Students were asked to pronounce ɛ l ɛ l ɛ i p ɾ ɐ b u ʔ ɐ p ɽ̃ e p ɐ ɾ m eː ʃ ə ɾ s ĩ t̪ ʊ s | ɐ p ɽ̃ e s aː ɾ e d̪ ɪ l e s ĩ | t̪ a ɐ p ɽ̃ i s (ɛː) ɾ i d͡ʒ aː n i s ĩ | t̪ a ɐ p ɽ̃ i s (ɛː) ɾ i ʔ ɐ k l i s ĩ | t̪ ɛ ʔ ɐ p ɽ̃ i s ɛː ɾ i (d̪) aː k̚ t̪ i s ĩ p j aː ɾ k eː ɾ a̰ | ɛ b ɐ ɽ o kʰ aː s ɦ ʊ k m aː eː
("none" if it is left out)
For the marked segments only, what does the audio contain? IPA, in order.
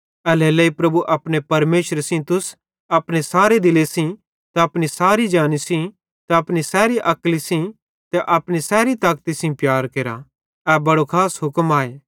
aː, ɛː, t̪

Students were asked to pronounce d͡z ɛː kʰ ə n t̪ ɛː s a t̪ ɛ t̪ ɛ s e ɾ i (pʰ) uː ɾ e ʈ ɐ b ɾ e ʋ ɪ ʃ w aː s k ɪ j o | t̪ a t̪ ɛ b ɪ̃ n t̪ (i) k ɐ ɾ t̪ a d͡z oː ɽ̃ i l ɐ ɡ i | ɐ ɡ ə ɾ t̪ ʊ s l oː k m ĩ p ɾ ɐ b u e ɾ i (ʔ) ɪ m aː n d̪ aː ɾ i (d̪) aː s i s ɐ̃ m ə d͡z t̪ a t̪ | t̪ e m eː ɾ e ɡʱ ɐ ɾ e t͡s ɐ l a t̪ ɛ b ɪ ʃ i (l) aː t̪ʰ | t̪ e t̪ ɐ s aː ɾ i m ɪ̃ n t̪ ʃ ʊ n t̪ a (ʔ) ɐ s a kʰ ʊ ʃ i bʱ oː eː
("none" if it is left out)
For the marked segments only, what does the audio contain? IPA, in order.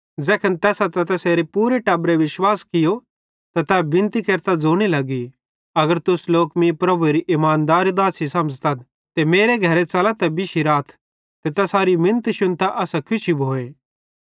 p, i, ʔ, d̪, ɾ, ʔ

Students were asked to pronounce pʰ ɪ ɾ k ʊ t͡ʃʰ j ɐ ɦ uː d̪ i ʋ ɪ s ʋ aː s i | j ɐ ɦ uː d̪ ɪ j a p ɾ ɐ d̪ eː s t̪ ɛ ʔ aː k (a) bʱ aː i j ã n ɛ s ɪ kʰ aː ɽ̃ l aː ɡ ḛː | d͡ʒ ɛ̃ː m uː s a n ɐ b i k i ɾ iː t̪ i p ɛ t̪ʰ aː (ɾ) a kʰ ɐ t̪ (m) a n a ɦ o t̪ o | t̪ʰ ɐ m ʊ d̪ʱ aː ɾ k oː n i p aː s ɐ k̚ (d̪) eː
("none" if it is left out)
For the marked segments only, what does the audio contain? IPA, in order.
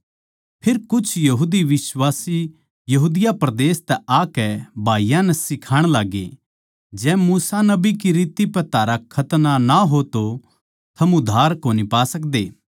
ɛ, ɾ, n, d̪

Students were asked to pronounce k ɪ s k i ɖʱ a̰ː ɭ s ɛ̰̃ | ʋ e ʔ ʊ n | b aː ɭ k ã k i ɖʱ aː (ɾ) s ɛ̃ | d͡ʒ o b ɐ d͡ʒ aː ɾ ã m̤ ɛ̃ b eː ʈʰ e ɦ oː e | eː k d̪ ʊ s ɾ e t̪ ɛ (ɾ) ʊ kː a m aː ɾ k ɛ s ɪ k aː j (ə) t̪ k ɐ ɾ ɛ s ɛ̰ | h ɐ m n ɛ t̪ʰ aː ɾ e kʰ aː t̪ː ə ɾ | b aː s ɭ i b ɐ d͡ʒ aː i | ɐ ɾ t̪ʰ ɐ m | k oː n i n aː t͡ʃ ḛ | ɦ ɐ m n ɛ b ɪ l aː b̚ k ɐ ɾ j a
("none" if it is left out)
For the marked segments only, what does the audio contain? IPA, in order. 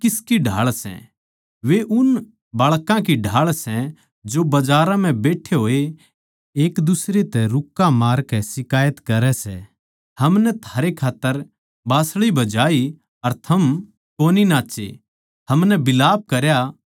ɭ, ɾ, ə

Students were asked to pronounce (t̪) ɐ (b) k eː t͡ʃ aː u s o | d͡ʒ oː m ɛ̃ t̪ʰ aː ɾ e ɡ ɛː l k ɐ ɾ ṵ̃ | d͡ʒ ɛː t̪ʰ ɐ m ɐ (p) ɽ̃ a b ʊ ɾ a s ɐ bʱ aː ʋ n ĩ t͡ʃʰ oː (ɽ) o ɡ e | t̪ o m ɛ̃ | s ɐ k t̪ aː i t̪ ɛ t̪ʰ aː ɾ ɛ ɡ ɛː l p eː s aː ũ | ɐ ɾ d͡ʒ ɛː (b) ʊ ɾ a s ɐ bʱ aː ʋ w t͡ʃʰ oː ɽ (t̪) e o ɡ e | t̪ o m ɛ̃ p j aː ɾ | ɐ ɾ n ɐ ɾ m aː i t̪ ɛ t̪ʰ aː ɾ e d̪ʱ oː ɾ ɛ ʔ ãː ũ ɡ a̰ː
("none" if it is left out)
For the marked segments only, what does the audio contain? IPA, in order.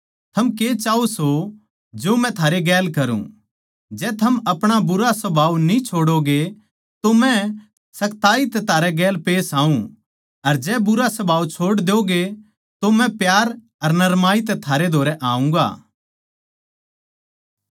t̪ʰ, m, p, ɽ, b, d̪

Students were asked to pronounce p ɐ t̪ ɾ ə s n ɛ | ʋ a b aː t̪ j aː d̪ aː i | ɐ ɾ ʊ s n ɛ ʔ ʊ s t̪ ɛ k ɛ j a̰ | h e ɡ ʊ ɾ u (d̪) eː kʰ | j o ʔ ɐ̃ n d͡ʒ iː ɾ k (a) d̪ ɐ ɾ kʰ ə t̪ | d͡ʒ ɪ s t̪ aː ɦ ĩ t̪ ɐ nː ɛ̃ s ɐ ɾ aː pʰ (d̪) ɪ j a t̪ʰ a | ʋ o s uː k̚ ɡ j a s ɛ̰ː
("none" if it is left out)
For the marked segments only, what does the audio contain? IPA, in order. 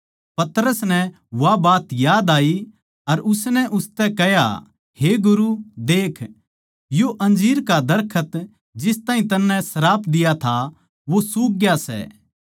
d̪, a, d̪

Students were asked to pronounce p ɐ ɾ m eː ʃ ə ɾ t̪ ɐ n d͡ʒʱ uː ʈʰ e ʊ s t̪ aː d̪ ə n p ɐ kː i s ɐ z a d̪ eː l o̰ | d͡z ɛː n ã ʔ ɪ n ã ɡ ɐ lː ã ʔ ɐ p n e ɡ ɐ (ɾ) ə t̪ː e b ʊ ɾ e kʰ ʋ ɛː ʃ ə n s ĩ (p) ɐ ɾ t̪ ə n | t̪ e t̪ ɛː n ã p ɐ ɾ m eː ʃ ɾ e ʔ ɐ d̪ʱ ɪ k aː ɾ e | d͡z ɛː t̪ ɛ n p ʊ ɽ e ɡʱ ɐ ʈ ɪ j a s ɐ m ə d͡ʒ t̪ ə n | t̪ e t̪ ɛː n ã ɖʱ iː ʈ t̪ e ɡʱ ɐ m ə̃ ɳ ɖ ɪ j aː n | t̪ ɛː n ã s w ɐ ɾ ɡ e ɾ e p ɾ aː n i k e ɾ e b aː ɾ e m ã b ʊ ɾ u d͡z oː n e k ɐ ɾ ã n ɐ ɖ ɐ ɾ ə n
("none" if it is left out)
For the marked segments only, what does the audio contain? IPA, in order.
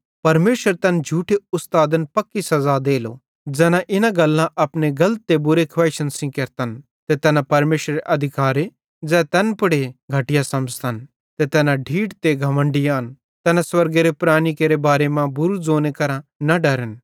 l, k

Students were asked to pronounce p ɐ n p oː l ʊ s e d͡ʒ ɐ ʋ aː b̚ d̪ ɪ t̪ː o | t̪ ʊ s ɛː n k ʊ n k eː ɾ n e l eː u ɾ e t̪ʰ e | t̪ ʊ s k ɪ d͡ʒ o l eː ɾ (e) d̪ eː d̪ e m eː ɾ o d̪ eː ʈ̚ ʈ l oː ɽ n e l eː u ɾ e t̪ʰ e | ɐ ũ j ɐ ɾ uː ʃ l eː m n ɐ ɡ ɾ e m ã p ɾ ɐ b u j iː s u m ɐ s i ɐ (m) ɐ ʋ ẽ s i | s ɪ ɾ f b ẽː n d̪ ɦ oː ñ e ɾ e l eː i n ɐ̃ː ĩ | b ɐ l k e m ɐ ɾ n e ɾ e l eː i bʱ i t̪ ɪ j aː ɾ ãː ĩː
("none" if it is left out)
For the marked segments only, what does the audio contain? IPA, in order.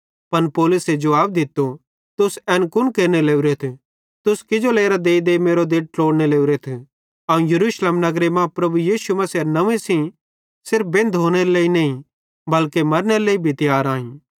a, n

